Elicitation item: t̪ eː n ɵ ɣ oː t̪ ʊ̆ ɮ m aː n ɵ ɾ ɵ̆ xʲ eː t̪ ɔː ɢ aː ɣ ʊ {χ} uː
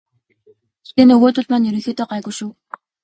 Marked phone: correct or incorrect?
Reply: incorrect